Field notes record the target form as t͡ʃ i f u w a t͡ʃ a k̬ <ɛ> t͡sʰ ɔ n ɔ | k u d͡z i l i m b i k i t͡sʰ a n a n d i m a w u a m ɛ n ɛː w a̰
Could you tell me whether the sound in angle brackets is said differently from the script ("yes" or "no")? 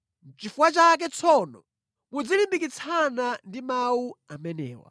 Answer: no